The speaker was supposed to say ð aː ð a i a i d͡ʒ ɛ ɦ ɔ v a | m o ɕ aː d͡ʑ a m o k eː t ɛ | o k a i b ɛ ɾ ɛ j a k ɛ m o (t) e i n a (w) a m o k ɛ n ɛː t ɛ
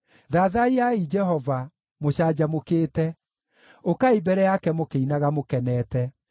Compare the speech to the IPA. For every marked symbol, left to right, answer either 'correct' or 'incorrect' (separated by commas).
incorrect, incorrect